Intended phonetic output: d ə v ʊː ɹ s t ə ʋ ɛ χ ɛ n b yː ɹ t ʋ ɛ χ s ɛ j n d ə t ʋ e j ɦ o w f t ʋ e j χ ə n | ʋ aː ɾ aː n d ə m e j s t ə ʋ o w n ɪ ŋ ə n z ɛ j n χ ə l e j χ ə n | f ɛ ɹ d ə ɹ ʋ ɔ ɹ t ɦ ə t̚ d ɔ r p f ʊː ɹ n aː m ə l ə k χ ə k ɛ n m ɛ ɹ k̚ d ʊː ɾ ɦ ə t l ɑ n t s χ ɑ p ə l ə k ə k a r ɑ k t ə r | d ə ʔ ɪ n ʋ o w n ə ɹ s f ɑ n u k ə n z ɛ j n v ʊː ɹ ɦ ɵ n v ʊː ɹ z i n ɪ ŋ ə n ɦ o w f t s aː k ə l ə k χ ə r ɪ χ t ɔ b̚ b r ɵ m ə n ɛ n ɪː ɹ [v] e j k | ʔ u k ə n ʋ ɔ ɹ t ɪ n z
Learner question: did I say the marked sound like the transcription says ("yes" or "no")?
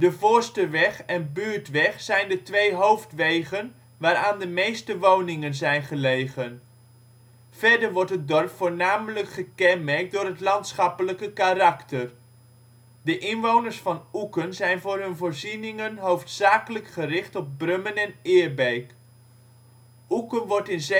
no